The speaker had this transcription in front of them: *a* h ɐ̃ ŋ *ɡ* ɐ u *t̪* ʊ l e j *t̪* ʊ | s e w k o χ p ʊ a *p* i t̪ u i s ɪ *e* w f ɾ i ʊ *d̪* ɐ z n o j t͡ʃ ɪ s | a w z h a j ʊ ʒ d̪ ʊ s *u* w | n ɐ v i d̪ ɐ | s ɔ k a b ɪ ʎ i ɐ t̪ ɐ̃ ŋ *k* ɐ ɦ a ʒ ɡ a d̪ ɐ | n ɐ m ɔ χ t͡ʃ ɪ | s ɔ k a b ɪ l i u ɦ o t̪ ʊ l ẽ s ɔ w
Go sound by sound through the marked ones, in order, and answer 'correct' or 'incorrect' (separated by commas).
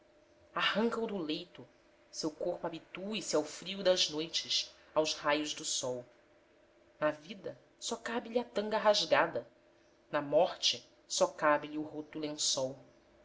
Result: correct, incorrect, incorrect, correct, incorrect, incorrect, correct, incorrect, incorrect